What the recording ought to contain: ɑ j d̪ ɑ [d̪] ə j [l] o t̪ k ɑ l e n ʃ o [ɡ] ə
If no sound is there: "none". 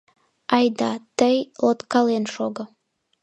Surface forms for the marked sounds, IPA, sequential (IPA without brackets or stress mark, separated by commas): t̪, l, ɡ